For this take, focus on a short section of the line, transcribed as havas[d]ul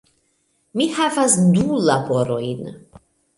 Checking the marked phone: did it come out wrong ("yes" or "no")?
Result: no